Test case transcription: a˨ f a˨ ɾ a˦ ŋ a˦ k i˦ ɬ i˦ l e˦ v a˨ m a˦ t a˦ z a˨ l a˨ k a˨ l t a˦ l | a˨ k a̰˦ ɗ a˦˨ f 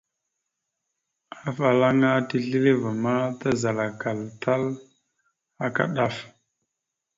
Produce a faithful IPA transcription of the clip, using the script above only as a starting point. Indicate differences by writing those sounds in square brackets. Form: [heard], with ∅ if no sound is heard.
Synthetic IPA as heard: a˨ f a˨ [l] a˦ ŋ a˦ [t] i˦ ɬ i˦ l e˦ v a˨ m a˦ t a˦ z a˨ l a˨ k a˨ l t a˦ l | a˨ k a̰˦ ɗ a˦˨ f